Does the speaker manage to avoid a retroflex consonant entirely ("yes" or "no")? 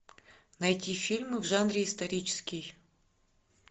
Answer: no